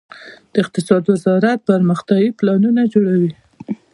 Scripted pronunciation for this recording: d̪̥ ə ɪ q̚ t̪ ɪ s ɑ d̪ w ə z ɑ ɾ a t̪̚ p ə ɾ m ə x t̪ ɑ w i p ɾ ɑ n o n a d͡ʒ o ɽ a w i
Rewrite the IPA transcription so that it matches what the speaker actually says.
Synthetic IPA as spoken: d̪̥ ə ɪ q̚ t̪ ɪ s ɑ d̪ w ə z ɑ ɾ a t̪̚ p ə ɾ m ə x t̪ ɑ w i p l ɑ n u n a d͡ʒ o ɽ a w i